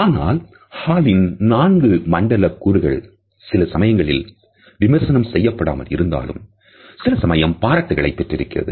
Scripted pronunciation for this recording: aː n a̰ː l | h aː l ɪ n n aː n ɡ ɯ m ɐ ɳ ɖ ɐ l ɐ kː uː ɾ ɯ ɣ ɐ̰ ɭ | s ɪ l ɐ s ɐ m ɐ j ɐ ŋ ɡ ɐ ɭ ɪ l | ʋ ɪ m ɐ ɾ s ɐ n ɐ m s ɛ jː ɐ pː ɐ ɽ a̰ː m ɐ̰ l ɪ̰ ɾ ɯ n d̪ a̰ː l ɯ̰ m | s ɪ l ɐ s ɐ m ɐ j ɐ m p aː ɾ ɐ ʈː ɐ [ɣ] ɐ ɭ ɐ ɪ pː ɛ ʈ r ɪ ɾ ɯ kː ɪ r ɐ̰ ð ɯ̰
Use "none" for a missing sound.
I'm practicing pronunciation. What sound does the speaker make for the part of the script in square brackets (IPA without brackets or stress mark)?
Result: ɣ